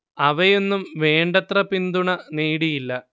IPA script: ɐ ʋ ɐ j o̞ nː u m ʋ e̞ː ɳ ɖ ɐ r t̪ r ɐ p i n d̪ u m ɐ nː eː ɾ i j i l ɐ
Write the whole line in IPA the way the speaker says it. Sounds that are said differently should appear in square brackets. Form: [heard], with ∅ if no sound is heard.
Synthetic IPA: ɐ ʋ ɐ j o̞ nː u m ʋ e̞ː ɳ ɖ ɐ [∅] t̪ r ɐ p i n d̪ u [ɳ] ɐ [n] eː [ɽ] i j i [lː] ɐ